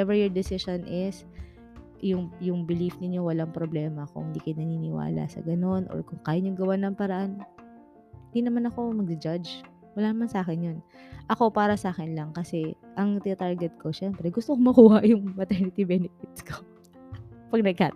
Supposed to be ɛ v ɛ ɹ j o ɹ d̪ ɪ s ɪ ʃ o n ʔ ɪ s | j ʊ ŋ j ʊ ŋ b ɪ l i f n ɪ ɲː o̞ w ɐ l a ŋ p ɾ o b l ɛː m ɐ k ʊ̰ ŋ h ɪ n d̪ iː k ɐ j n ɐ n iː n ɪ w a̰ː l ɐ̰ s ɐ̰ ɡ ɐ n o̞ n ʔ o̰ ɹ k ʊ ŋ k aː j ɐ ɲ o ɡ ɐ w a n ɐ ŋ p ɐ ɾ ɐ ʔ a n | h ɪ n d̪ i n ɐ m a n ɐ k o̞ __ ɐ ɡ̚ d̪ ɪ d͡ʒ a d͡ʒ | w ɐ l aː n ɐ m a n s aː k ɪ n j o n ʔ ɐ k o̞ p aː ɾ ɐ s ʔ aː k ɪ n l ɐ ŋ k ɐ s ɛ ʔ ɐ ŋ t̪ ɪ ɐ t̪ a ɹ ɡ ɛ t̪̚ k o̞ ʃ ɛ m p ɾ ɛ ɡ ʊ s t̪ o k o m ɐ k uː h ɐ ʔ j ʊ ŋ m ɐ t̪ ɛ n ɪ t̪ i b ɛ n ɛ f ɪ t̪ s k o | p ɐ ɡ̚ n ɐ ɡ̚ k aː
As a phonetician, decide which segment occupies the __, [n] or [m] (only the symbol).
m